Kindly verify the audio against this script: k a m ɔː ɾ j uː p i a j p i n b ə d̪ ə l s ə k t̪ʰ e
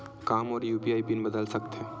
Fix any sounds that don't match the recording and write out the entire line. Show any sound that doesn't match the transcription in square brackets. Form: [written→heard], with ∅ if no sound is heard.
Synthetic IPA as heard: k a m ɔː ɾ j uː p i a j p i n b ə d̪ ə l s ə k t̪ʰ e